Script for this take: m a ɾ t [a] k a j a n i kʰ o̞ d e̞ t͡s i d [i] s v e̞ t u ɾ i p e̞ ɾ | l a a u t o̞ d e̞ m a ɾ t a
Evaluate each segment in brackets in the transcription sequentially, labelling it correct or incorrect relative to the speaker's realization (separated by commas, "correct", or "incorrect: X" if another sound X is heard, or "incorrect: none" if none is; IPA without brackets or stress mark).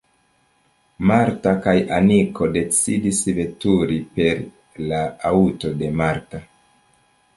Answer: correct, correct